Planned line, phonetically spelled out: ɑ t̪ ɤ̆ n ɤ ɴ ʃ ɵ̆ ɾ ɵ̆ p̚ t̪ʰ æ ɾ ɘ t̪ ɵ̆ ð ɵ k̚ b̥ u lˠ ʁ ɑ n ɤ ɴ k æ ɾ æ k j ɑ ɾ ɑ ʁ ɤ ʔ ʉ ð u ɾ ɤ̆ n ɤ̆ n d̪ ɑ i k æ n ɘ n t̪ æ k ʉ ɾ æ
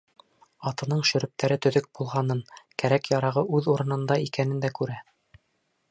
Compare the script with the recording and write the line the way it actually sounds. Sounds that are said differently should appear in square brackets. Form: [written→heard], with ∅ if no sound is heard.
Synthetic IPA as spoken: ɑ t̪ ɤ̆ n ɤ ɴ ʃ ɵ̆ ɾ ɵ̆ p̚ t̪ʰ æ ɾ ɘ t̪ ɵ̆ ð ɵ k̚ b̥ u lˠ ʁ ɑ n ɤ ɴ k æ ɾ æ k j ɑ ɾ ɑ ʁ ɤ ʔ ʉ ð u ɾ ɤ̆ n ɤ̆ n d̪ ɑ i k æ n ɘ n [t̪→d̪] æ k ʉ ɾ æ